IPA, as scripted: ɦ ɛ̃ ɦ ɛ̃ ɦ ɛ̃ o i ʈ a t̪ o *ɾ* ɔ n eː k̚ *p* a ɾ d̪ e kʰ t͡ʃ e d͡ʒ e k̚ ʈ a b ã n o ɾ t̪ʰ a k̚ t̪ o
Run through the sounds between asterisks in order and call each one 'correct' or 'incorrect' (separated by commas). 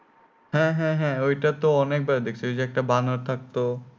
incorrect, incorrect